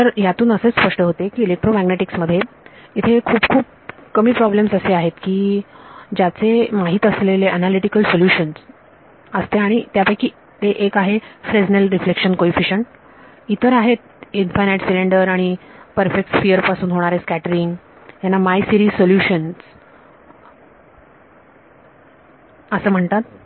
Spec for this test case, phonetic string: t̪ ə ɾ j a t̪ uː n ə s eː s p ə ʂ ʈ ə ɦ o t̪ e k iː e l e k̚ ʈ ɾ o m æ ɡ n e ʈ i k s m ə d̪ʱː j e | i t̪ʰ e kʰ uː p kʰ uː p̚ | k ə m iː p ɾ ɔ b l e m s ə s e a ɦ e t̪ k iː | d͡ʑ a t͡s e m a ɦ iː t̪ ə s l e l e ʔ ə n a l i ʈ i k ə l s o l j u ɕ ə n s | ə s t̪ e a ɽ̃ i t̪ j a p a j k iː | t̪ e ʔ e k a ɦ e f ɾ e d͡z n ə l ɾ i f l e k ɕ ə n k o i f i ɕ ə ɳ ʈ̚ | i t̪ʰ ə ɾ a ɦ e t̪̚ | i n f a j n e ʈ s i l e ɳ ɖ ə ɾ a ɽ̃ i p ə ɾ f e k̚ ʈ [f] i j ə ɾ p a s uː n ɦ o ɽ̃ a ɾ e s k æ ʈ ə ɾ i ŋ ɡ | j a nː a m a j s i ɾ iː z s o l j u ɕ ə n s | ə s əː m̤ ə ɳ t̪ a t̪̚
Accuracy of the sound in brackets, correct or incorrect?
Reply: correct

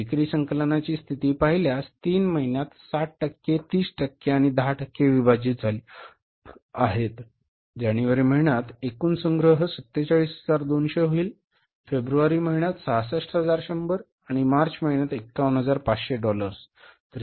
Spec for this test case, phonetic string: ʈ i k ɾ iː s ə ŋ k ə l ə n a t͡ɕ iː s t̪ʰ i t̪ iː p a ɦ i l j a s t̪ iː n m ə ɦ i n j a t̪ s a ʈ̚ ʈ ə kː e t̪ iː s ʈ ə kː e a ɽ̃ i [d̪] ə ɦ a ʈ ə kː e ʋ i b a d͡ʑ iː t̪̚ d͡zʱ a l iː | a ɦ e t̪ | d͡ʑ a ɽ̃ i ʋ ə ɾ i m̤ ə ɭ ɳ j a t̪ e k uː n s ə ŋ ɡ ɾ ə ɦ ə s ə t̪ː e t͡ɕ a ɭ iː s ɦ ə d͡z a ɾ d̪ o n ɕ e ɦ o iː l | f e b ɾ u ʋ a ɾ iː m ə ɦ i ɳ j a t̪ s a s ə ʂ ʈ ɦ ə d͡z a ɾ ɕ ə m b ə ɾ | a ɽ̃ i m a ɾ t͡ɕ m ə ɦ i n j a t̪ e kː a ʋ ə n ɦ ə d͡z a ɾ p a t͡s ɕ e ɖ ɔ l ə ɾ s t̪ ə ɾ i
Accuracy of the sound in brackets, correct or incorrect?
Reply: correct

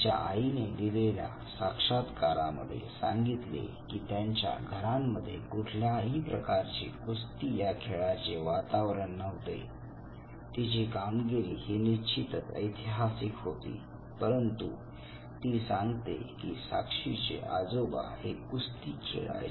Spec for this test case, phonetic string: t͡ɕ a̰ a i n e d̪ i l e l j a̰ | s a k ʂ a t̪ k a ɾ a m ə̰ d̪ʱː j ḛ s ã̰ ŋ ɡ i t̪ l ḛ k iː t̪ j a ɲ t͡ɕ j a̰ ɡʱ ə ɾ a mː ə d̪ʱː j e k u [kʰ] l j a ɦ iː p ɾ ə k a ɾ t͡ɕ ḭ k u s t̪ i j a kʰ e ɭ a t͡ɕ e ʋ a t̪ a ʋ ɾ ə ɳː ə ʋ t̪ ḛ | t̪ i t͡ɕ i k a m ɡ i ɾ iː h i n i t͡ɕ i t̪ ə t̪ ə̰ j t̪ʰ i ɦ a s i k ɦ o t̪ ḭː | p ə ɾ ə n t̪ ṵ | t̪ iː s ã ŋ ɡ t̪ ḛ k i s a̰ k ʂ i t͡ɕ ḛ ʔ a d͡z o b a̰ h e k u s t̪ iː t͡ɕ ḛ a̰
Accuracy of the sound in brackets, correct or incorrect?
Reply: incorrect: ʈʰ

